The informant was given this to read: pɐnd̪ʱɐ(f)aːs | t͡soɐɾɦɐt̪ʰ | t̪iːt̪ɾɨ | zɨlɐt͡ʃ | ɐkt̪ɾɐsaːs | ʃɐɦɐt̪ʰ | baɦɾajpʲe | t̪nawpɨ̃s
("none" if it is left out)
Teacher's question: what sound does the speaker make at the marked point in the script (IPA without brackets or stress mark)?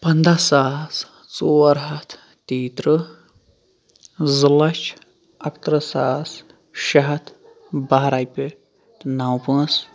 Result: s